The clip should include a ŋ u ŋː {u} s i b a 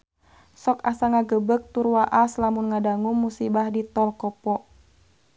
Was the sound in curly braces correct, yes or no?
yes